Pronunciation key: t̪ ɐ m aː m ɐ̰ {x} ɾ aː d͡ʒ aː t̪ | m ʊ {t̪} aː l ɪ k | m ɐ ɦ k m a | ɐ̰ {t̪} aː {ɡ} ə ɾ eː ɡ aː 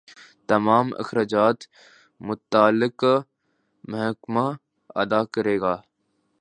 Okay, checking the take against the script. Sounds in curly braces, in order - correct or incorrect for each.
correct, correct, incorrect: d̪, incorrect: k

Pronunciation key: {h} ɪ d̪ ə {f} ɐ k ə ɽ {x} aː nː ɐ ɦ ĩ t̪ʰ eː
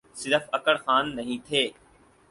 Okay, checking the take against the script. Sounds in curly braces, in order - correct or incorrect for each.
incorrect: s, correct, correct

